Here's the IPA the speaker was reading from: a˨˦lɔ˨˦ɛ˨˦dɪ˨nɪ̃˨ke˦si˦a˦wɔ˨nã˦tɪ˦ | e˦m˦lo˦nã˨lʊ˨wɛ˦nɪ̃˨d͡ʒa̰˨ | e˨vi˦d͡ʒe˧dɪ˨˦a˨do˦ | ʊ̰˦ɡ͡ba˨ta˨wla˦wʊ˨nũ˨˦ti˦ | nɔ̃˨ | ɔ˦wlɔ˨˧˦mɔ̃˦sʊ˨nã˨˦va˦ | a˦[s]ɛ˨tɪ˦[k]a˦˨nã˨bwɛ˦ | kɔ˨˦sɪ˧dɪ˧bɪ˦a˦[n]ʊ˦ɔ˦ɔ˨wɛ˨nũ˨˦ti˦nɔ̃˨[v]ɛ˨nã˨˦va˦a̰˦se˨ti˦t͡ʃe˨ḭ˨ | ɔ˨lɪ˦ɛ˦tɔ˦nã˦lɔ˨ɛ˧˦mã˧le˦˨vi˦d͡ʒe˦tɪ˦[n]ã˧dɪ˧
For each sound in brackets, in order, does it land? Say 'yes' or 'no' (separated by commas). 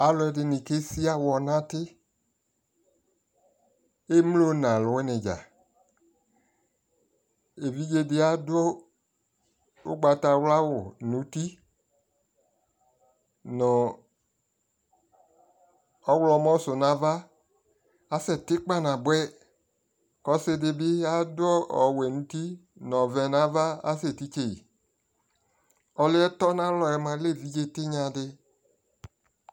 yes, no, no, yes, no